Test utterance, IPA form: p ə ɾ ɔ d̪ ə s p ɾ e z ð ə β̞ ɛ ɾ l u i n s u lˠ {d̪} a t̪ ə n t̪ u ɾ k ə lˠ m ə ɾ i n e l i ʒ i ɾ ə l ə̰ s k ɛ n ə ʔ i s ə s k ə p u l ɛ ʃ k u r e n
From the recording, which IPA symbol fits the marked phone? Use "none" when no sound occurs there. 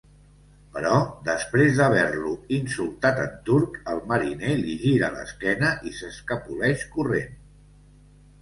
t̪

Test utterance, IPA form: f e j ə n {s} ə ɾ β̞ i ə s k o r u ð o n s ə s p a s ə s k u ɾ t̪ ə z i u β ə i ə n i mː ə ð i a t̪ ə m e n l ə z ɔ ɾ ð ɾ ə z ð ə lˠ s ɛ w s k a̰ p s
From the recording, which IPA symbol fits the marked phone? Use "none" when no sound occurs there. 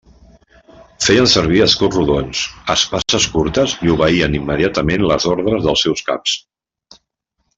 s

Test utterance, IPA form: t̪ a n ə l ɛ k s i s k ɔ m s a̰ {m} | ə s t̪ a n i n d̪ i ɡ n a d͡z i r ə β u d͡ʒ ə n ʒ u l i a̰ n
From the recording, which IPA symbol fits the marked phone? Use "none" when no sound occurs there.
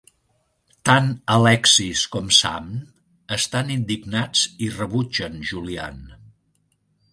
m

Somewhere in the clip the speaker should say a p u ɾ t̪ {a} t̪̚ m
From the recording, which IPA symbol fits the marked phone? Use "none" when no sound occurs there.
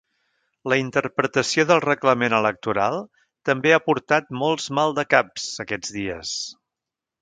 a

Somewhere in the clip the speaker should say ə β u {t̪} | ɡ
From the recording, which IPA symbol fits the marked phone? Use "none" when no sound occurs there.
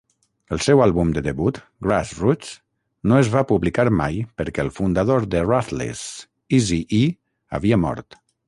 t̪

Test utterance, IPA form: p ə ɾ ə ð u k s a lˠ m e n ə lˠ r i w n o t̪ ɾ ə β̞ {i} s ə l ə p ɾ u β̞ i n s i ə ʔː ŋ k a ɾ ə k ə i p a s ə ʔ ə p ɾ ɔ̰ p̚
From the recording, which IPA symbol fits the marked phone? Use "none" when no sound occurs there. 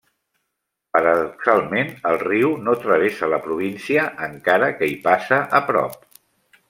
e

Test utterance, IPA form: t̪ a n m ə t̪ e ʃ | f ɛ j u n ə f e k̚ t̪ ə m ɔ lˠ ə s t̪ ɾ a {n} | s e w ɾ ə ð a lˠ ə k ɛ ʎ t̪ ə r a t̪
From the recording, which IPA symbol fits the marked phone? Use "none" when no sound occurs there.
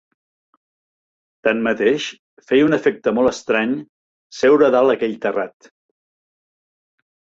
ɲ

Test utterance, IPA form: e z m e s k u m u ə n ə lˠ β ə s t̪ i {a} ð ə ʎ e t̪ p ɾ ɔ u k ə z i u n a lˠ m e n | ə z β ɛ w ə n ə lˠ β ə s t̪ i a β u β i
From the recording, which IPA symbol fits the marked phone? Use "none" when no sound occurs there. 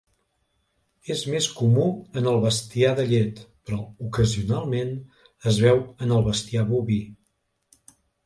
a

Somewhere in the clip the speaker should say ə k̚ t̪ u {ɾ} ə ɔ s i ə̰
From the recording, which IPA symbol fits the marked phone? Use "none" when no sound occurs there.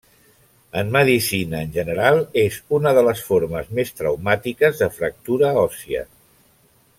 ɾ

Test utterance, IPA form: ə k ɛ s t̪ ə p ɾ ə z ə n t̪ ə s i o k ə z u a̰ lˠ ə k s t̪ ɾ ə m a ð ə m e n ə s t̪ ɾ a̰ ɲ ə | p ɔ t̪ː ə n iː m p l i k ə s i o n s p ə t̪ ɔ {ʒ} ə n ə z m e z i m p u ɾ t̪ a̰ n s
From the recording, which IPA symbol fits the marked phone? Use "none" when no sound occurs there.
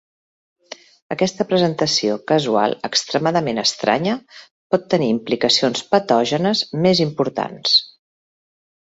ʒ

